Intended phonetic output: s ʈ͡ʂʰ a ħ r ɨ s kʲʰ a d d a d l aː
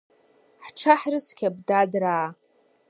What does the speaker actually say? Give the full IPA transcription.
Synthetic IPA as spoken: ħ ʈ͡ʂʰ a ħ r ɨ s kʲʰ a b d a d r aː